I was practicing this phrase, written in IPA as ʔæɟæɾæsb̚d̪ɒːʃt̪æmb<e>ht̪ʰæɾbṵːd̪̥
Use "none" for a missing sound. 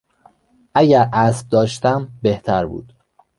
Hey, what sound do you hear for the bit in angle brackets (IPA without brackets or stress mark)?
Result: e